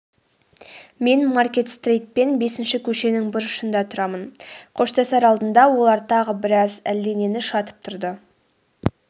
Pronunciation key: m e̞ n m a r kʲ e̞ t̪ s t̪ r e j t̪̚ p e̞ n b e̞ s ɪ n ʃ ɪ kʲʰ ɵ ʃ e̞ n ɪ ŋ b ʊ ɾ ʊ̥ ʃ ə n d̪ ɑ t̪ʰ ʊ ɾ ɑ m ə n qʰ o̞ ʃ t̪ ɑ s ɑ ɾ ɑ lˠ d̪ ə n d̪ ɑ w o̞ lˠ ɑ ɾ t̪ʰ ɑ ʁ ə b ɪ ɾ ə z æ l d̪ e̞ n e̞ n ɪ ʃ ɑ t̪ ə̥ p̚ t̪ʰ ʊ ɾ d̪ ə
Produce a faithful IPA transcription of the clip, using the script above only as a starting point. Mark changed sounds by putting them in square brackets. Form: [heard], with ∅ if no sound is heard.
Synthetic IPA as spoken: m e̞ n m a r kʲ e̞ t̪ s t̪ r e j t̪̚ p e̞ n b e̞ s ɪ n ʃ ɪ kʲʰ ɵ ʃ e̞ n ɪ ŋ b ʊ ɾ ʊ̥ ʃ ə n d̪ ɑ t̪ʰ ʊ ɾ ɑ m ə n qʰ o̞ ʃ t̪ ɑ s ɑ ɾ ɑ lˠ d̪ ə n d̪ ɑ w o̞ lˠ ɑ ɾ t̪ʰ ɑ ʁ ə b ɪ ɾ [ɑ] z æ l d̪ e̞ n e̞ n ɪ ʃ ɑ t̪ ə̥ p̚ t̪ʰ ʊ ɾ d̪ ə